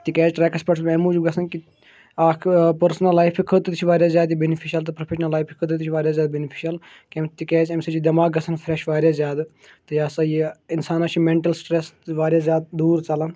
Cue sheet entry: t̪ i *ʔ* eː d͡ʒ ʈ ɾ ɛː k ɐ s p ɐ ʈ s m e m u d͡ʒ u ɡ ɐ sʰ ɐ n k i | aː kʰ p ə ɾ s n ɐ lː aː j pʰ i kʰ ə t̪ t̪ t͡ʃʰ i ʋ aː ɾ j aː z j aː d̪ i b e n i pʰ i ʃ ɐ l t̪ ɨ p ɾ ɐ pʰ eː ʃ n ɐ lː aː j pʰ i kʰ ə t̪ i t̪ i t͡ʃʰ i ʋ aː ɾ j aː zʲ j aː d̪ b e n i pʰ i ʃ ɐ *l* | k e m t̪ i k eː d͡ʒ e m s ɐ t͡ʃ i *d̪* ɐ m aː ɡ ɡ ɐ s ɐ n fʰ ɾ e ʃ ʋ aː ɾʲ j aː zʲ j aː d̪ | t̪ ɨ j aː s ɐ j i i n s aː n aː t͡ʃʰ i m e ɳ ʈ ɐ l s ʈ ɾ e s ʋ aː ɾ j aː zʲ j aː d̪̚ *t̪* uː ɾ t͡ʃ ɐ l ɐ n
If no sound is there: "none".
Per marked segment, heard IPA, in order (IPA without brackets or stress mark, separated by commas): k, l, d̪, d̪